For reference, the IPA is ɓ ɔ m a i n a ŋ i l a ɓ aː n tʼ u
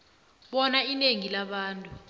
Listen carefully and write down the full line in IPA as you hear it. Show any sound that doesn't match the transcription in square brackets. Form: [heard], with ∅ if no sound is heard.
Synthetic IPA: ɓ ɔ [n] a i n [e] ŋ i l a ɓ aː n tʼ u